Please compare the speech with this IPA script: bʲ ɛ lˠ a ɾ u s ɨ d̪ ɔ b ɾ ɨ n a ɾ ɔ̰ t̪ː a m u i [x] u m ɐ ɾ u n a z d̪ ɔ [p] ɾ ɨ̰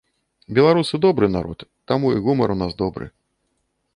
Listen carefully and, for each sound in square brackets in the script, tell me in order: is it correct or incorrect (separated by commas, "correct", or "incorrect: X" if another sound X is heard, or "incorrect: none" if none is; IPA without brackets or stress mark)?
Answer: incorrect: ɣ, incorrect: b